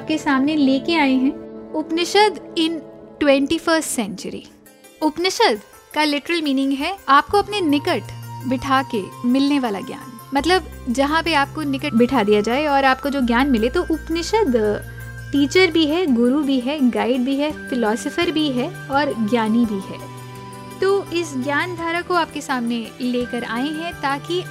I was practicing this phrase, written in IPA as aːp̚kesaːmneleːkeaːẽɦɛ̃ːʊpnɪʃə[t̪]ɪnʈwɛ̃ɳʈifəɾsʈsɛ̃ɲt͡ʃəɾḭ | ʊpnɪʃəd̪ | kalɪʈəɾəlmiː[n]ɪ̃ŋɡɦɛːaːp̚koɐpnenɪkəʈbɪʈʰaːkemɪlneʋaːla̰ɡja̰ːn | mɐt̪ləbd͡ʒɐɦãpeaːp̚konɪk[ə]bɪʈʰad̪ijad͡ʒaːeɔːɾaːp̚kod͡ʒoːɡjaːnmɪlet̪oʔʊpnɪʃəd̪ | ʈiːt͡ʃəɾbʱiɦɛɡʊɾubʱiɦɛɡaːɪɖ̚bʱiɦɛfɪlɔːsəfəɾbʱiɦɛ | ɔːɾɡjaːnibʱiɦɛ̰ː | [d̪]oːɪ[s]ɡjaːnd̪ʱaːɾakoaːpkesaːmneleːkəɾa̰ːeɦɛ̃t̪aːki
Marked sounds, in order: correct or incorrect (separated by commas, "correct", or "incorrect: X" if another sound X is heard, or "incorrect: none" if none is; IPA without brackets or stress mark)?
incorrect: d̪, correct, correct, incorrect: t̪, correct